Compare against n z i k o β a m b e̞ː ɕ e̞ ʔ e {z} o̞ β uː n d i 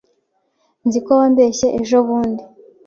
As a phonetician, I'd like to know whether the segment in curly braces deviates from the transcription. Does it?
yes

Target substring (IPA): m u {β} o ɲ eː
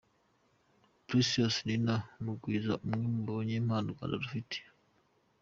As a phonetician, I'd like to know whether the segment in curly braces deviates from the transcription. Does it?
yes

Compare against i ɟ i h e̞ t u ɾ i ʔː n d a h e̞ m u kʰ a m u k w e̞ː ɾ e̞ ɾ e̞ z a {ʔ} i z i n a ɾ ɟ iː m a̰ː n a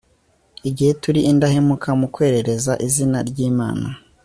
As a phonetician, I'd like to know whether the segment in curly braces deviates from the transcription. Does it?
no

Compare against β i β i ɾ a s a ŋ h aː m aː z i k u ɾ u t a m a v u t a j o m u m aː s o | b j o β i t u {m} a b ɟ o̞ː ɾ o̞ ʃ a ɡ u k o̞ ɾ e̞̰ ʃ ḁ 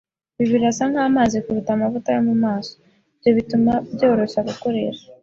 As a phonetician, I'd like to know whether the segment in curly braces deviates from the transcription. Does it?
no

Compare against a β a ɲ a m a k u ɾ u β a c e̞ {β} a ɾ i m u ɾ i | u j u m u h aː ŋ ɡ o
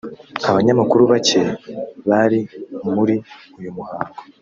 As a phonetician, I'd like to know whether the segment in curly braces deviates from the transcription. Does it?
no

